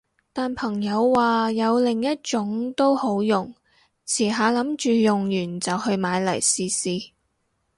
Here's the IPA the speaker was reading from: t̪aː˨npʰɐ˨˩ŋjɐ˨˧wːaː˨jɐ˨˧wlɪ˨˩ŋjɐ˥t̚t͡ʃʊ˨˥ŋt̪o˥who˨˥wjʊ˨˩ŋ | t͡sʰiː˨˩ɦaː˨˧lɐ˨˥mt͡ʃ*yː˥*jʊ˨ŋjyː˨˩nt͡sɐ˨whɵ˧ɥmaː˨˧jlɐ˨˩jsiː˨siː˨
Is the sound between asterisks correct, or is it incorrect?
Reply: incorrect